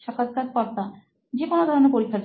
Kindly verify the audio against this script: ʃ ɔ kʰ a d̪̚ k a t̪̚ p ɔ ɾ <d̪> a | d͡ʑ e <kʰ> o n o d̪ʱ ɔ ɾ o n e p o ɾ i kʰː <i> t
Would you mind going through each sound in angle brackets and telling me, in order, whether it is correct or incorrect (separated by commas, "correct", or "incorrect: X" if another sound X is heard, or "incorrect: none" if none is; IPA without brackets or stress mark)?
incorrect: t̪, incorrect: k, incorrect: a